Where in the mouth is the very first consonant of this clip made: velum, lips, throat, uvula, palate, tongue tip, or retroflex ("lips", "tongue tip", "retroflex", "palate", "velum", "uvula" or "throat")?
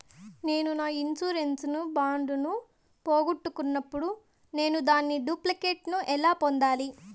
tongue tip